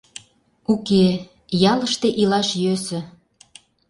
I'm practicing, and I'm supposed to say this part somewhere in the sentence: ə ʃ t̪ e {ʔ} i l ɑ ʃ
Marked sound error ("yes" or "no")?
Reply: no